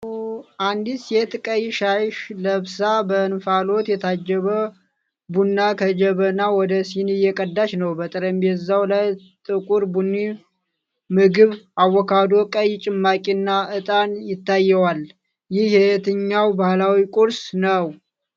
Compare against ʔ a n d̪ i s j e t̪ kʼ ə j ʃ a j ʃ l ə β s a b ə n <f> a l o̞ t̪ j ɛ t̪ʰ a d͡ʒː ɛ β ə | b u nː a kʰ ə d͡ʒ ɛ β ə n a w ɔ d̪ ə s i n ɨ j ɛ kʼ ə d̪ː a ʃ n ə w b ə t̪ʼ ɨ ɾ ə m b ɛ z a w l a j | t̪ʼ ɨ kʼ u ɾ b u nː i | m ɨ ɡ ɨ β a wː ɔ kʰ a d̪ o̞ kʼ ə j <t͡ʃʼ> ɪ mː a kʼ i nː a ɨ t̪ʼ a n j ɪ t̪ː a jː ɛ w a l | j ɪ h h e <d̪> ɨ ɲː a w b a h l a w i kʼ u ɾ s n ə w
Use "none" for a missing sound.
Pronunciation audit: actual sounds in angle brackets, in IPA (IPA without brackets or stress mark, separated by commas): f, t͡ʃʼ, t̪